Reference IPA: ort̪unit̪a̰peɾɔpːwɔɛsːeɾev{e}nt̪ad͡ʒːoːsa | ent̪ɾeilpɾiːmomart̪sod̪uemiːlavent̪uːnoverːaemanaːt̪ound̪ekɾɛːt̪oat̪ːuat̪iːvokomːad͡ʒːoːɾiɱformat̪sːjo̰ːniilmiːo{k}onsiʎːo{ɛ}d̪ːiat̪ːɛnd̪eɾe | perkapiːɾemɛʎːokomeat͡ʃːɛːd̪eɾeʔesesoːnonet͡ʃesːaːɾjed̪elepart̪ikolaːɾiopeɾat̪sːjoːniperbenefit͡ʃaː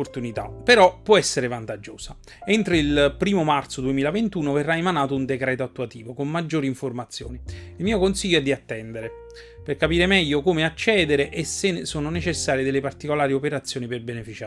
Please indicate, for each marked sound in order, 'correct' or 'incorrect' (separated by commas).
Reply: incorrect, correct, correct